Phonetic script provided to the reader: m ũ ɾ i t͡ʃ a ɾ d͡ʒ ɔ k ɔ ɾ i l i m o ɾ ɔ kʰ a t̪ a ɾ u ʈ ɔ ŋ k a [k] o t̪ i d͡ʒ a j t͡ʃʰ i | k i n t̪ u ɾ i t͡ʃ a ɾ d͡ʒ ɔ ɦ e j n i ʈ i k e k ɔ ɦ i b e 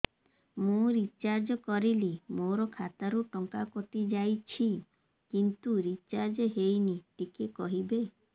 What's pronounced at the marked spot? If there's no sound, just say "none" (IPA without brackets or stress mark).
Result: k